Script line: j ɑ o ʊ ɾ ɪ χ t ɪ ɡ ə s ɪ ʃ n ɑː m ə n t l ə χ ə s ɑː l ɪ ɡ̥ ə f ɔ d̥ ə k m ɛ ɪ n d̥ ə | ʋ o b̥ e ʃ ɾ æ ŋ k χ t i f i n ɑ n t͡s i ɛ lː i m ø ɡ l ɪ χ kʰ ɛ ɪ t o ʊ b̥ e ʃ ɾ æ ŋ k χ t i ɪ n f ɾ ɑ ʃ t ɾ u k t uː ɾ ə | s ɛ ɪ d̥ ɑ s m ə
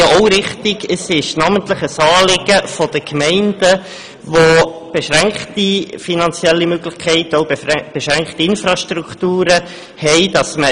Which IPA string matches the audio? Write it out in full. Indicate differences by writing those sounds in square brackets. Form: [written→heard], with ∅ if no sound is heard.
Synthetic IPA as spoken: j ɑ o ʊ ɾ ɪ χ t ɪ ɡ ə s ɪ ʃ n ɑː m ə n t l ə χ ə s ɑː l ɪ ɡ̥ ə f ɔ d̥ ə k m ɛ ɪ n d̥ ə | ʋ o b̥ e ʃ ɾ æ ŋ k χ t i f i n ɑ n t͡s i ɛ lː i m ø ɡ l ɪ χ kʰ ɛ ɪ t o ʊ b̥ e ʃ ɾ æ ŋ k χ t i ɪ n f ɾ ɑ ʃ t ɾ u k t uː ɾ ə | [s→h] ɛ ɪ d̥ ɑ s m ə